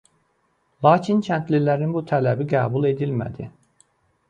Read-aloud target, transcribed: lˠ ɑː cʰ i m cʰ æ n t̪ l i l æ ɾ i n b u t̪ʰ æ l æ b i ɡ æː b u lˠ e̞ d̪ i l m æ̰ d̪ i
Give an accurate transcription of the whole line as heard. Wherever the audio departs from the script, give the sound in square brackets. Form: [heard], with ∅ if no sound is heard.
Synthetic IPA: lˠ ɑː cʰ i [n] cʰ æ n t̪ l i l æ ɾ i n b u t̪ʰ æ l æ b i ɡ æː b u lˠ e̞ d̪ i l m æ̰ d̪ i